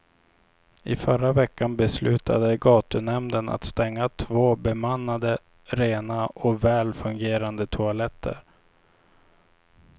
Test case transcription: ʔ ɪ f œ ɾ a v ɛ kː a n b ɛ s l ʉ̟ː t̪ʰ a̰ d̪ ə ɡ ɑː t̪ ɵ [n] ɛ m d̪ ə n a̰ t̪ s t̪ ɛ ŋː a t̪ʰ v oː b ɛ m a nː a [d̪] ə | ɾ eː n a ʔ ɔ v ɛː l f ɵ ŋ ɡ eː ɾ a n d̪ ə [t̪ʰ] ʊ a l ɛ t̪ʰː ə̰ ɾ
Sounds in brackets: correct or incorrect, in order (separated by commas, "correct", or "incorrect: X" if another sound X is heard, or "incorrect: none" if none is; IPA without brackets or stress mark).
correct, correct, correct